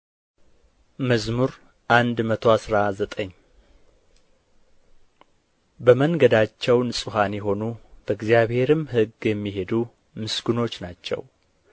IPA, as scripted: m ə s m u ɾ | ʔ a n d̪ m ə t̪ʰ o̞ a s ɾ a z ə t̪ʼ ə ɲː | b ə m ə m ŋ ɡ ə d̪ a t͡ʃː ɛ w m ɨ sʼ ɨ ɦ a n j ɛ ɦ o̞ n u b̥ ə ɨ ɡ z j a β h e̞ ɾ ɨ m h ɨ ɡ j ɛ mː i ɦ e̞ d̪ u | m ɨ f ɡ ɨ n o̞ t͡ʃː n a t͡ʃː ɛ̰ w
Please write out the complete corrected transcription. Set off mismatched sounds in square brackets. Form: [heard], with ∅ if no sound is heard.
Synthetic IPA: m ə [z] m u ɾ | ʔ a n d̪ m ə t̪ʰ o̞ a s ɾ a z ə t̪ʼ ə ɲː | b ə m ə [∅] ŋ ɡ ə d̪ a t͡ʃː ɛ w [n] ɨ sʼ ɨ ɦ a n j ɛ ɦ o̞ n u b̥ ə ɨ ɡ z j a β h e̞ ɾ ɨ m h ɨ ɡ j ɛ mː i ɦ e̞ d̪ u | m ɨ [s] ɡ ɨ n o̞ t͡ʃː n a t͡ʃː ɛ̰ w